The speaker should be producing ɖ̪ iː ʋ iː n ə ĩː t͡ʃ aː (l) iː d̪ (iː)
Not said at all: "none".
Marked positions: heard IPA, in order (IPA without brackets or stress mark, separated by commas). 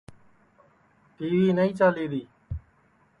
l, iː